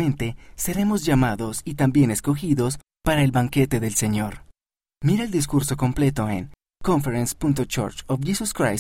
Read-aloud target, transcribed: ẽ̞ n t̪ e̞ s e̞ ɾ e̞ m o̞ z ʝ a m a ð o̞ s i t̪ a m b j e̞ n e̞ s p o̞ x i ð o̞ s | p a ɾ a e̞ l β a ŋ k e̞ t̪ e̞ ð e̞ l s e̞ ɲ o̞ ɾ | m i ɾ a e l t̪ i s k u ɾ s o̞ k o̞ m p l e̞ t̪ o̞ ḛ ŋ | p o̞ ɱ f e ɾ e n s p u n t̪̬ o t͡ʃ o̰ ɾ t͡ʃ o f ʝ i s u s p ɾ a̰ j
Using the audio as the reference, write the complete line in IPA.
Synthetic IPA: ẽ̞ n t̪ e̞ s e̞ ɾ e̞ m o̞ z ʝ a m a ð o̞ s i t̪ a m b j e̞ n e̞ s k o̞ x i ð o̞ s | p a ɾ a e̞ l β a ŋ k e̞ t̪ e̞ ð e̞ l s e̞ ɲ o̞ ɾ | m i ɾ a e l d̪ i s k u ɾ s o̞ k o̞ m p l e̞ t̪ o̞ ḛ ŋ | k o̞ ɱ f e ɾ e n s p u n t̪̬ o t͡ʃ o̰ ɾ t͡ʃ o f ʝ i s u s k ɾ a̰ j